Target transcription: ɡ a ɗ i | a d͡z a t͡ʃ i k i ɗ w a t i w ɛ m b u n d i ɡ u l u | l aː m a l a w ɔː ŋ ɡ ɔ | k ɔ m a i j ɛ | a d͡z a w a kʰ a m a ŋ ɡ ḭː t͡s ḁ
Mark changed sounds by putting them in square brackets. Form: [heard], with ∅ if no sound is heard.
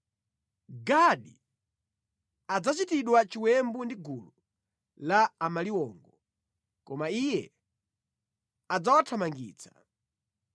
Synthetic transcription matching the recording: ɡ a ɗ i | a d͡z a t͡ʃ i [t] i ɗ w a [t͡ʃ] i w ɛ m b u n d i ɡ u l u | l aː m a l [i] w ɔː ŋ ɡ ɔ | k ɔ m a i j ɛ | a d͡z a w a [tʰ] a m a ŋ ɡ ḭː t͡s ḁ